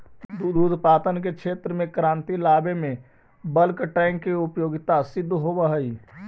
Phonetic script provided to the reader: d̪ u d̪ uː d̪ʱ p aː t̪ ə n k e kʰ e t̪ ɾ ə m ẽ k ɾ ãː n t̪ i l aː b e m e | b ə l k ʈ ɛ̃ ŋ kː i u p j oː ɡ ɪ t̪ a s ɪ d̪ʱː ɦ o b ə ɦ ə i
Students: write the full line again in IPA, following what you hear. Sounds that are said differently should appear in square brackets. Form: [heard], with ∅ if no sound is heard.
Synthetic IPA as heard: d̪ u d̪ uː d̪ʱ p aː t̪ ə n k e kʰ e t̪ ɾ ə m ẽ k ɾ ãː n t̪ i l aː b e m e | b ə l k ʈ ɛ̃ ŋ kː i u p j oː ɡ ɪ t̪ a s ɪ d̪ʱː ɦ o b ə ɦ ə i